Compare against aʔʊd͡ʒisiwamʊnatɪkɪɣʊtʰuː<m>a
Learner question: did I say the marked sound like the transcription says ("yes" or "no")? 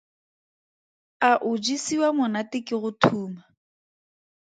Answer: yes